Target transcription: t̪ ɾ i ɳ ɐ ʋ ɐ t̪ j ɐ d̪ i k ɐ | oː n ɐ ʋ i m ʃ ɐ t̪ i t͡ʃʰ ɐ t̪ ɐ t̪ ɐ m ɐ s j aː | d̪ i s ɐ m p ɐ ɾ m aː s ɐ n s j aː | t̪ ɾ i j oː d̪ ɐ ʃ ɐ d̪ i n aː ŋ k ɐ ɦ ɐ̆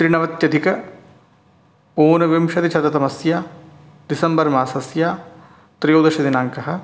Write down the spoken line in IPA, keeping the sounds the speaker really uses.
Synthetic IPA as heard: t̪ ɾ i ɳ ɐ ʋ ɐ t̪ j ɐ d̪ i k ɐ | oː n ɐ ʋ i m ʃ ɐ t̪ i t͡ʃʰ ɐ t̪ ɐ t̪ ɐ m ɐ s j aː | d̪ i s ɐ m b ɐ ɾ m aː s ɐ s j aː | t̪ ɾ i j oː d̪ ɐ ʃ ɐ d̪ i n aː ŋ k ɐ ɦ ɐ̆